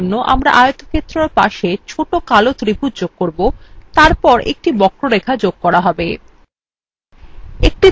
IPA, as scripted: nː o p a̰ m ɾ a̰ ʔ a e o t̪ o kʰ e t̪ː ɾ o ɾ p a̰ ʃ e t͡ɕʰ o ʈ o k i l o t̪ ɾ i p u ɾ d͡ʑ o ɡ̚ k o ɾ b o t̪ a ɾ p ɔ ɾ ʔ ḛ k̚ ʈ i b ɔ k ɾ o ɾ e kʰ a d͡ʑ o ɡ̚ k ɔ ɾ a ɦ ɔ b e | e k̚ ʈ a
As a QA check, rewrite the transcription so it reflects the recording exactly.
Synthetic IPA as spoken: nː o ʔ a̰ m ɾ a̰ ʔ a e o t̪ o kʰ e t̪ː ɾ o ɾ p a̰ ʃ e t͡ɕʰ o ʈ o k a l o t̪ ɾ i p u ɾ d͡ʑ o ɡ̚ k o ɾ b o t̪ a ɾ p ɔ ɾ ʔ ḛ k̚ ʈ i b ɔ k ɾ o ɾ e kʰ a d͡ʑ o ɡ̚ k ɔ ɾ a ɦ ɔ b e | e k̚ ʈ i